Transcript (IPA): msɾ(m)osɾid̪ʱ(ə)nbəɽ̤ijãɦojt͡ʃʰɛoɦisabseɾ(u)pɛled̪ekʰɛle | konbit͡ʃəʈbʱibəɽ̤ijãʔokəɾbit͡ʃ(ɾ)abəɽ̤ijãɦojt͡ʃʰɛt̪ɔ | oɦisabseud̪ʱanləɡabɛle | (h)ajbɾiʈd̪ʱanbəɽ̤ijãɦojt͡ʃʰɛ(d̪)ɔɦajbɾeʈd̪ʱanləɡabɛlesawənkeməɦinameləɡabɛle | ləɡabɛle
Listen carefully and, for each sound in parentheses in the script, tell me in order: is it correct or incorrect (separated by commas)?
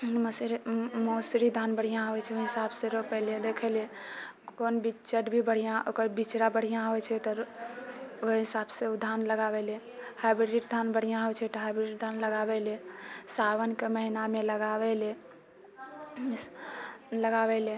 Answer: correct, incorrect, incorrect, correct, correct, incorrect